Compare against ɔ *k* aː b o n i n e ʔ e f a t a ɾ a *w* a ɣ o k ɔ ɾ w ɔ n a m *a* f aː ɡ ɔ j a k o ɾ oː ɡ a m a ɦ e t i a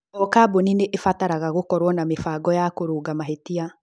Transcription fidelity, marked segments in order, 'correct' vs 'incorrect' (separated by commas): correct, incorrect, incorrect